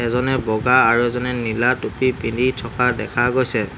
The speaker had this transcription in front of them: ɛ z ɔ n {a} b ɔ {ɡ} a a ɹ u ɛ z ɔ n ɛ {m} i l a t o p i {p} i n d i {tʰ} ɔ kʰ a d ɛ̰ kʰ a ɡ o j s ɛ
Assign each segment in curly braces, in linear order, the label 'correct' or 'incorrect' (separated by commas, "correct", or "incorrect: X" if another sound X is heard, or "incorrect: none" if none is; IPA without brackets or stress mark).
incorrect: ɛ, correct, incorrect: n, correct, correct